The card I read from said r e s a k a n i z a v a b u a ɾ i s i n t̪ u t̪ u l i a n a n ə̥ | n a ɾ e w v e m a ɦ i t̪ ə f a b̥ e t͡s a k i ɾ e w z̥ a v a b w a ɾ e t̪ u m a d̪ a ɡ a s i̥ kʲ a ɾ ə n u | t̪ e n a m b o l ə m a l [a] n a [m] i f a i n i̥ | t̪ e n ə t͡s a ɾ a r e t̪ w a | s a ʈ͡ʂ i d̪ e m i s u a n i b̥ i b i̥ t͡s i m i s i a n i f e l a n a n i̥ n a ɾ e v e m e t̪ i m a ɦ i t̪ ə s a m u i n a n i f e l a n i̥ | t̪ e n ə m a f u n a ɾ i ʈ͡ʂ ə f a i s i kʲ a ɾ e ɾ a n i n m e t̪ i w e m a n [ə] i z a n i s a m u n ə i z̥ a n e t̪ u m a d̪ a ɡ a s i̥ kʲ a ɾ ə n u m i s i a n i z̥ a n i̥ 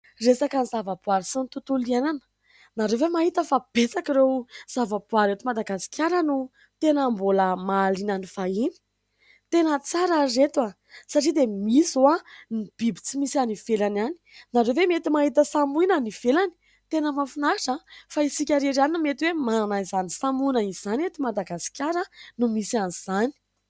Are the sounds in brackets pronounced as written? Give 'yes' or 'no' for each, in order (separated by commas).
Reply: no, no, no